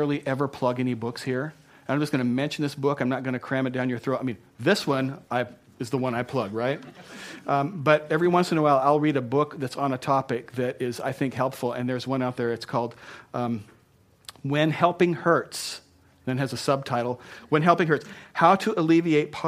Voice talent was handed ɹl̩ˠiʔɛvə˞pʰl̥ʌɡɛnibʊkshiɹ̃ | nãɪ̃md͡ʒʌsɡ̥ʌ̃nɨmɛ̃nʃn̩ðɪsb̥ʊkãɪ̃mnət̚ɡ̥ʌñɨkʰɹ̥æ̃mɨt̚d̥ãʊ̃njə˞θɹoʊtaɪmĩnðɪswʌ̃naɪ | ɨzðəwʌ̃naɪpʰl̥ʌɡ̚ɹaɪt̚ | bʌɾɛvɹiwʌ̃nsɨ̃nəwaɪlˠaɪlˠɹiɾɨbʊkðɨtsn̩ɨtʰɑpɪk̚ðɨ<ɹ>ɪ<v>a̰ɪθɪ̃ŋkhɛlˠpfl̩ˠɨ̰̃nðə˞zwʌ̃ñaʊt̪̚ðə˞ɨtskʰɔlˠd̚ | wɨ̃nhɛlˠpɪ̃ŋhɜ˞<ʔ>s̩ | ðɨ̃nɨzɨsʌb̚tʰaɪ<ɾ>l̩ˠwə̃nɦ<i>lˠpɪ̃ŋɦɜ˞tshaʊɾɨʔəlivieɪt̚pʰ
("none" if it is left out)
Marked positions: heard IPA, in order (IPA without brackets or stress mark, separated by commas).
ɾ, z, t, ɾ, ɛ